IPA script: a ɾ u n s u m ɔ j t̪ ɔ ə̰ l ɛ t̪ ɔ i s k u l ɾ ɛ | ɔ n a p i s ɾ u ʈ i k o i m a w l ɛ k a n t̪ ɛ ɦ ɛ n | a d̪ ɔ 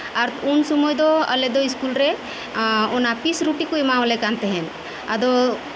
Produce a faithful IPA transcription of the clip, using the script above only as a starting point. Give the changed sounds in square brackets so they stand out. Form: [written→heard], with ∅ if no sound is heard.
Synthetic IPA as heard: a ɾ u n s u m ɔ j [t̪→d̪] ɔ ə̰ l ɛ [t̪→d̪] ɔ i s k u l ɾ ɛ | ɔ n a p i s ɾ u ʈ i k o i m a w l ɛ k a n t̪ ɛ ɦ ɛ n | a d̪ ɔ